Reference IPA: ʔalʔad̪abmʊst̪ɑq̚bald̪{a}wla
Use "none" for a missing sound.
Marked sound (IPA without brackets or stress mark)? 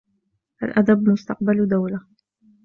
a